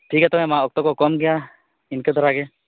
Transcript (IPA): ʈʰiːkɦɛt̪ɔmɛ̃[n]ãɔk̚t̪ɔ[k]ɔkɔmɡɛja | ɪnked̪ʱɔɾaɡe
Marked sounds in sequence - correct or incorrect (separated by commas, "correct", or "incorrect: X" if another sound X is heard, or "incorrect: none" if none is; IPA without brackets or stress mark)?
incorrect: m, correct